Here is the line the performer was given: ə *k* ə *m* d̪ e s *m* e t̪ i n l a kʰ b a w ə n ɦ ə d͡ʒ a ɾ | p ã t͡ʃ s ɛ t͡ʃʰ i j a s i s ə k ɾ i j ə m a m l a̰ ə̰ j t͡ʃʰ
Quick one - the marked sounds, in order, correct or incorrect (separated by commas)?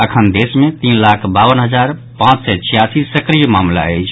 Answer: incorrect, incorrect, correct